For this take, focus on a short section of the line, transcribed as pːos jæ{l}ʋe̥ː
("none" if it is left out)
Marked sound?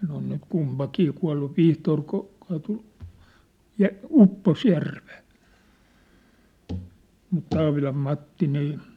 r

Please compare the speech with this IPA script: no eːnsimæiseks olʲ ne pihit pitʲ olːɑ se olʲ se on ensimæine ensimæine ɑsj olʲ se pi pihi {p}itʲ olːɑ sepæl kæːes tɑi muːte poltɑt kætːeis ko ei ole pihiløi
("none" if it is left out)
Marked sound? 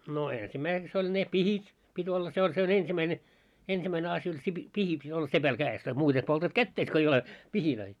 p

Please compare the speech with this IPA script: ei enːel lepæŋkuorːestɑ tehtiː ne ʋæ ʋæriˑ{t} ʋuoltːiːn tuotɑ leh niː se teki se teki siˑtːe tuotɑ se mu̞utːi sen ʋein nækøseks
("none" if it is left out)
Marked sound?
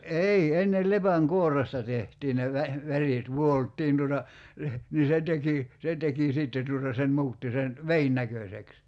t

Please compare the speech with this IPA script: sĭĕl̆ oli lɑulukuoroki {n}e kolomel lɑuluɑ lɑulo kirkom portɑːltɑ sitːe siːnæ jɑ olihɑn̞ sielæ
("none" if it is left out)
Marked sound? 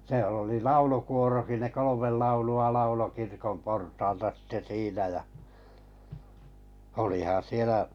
n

